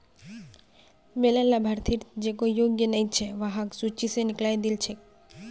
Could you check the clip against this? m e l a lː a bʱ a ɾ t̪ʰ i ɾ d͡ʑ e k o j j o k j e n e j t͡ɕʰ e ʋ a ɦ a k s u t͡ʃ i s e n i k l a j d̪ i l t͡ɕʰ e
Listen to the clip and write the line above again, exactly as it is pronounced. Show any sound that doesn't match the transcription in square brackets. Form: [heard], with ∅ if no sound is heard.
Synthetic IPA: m e l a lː a bʱ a ɾ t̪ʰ i ɾ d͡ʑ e k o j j o [ɡ] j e n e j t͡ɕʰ e ʋ a ɦ a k s u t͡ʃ i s e n i k l a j d̪ i l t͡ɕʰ e